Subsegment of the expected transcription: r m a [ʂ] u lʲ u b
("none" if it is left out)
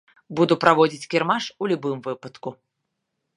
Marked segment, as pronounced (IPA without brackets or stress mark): ʂ